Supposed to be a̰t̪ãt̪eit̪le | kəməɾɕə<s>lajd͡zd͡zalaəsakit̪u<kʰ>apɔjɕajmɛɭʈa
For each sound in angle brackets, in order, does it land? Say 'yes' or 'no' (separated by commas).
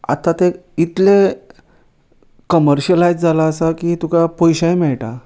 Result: no, no